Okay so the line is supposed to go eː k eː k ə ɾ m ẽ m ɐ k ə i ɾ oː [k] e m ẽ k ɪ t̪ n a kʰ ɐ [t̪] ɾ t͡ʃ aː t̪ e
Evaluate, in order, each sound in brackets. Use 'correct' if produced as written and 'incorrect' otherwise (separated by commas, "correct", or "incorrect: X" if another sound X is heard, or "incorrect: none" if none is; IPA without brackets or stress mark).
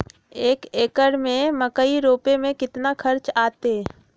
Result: incorrect: p, incorrect: none